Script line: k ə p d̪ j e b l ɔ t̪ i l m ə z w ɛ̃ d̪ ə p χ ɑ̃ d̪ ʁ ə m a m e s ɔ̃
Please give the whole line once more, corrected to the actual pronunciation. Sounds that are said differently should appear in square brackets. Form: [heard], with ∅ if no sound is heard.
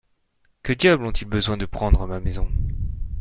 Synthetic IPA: k ə [∅] d̪ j [a] b l [ɔ̃] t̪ i l [b] ə z w ɛ̃ d̪ ə p χ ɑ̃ d̪ ʁ ə m a m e [z] ɔ̃